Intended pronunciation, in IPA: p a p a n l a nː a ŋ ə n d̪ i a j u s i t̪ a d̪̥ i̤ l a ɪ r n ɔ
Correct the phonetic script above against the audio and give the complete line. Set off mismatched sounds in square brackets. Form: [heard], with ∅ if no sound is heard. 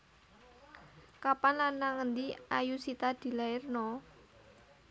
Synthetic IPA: [k] a p a n l a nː a ŋ ə n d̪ i a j u s i t̪ a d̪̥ i̤ l a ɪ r n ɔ